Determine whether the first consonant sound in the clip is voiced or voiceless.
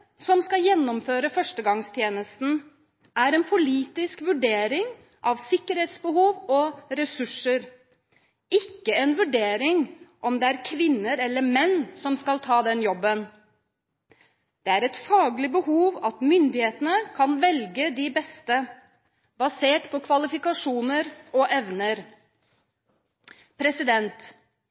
voiceless